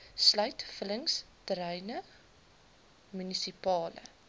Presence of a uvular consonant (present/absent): absent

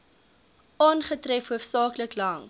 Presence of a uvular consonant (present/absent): present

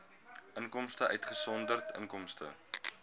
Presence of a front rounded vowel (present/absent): present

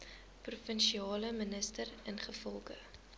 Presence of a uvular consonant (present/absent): present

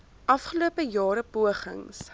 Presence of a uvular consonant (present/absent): present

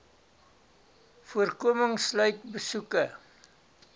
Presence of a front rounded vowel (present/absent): present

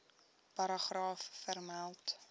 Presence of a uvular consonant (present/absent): present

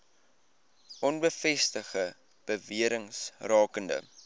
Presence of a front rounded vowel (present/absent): absent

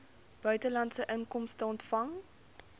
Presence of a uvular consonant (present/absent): absent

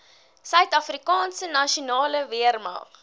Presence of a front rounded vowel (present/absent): present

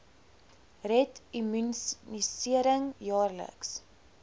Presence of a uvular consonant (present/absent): absent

